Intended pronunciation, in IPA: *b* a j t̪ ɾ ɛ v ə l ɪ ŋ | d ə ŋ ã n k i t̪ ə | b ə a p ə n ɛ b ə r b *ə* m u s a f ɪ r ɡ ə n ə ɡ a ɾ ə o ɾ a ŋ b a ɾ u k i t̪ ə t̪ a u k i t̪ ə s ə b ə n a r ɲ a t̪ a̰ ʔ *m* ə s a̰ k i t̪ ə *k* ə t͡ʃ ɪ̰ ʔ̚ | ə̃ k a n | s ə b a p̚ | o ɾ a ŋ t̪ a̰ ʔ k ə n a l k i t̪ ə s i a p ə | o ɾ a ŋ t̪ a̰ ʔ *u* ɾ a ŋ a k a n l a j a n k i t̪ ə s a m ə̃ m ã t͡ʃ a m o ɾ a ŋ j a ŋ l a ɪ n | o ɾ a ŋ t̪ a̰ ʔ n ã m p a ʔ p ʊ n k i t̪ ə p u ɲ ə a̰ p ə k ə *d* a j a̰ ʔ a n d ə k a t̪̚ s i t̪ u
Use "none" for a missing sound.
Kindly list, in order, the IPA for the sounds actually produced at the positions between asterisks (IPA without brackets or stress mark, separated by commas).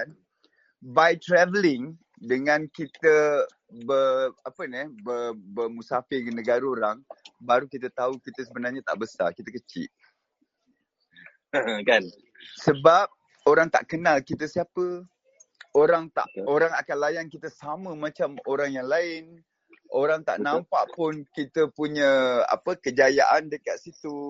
b, ə, b, k, o, d͡ʒ